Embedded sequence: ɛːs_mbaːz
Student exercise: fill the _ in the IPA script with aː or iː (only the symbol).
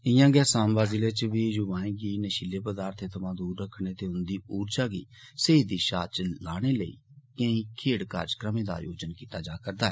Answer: aː